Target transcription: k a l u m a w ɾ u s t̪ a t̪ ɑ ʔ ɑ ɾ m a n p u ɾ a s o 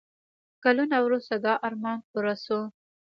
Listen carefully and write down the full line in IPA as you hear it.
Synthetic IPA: k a l u n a w ɾ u s t̪ a d̪ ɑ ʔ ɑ ɾ m ɑ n p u ɾ a s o